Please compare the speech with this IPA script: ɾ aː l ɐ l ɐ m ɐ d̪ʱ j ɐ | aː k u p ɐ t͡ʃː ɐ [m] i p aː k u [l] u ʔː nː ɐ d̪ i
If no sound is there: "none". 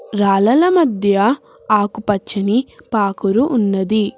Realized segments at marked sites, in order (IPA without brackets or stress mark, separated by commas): n, ɾ